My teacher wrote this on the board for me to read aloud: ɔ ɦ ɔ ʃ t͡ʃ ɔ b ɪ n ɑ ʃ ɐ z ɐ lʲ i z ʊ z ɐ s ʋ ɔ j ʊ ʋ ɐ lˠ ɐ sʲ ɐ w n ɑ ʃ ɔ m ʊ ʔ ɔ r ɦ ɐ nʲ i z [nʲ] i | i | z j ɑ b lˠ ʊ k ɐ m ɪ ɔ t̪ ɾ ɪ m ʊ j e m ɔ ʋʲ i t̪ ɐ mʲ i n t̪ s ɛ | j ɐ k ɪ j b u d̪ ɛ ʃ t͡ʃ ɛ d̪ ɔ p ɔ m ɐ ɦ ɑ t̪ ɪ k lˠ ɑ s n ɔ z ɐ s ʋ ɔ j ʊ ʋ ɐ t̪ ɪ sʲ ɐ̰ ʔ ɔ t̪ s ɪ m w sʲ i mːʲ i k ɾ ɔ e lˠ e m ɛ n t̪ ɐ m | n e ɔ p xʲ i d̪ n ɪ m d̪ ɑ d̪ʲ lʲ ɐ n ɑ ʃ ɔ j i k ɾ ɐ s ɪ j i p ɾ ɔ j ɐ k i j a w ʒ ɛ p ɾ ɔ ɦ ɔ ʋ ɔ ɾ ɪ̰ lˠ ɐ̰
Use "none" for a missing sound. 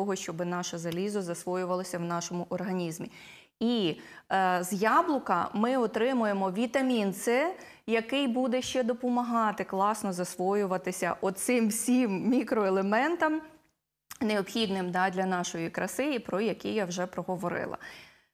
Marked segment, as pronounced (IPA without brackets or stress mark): mʲ